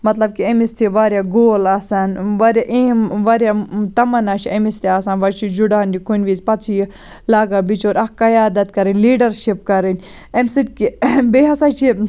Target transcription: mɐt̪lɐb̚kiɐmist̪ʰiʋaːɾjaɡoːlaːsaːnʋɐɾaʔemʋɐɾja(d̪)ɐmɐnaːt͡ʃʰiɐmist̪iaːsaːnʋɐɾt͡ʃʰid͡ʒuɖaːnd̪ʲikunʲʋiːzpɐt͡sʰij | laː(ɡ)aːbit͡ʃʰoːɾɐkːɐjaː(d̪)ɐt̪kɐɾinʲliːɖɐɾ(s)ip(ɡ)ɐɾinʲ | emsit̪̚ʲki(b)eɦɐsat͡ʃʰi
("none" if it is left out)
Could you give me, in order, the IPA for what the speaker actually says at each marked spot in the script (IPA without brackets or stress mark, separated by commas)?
t̪, ɡ, d̪, ʃ, k, b